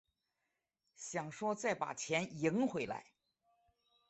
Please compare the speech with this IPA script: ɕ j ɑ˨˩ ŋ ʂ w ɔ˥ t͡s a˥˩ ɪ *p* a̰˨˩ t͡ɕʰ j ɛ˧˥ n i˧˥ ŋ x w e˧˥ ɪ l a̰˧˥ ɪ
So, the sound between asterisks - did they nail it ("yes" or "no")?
yes